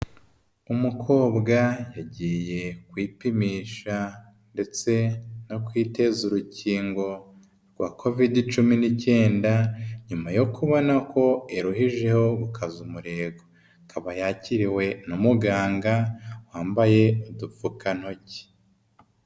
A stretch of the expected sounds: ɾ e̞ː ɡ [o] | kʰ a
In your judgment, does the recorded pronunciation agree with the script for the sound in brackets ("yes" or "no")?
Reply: yes